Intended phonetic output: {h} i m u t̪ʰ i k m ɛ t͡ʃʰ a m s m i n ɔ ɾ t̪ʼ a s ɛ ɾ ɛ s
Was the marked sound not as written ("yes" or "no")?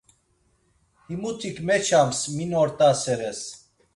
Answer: no